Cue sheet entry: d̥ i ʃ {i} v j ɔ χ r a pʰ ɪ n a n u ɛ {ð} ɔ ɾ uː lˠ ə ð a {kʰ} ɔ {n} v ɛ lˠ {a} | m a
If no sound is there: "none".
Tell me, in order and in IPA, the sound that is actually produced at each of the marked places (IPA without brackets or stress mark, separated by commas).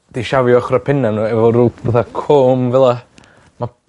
a, v, kʰ, m, a